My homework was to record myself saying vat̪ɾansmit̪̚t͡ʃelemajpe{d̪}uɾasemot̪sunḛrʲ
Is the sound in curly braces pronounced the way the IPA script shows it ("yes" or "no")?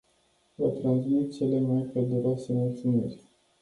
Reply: yes